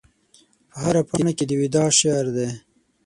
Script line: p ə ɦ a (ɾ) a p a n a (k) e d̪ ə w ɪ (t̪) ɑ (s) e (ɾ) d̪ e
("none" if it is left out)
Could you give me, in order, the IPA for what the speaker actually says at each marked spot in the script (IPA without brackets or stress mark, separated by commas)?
ɾ, k, d̪, ʃ, ɾ